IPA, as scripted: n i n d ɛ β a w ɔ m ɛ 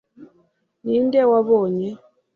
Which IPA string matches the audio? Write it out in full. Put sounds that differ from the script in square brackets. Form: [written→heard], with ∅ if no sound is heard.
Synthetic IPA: n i n d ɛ [β→w] a [w→β] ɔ [m→ɲ] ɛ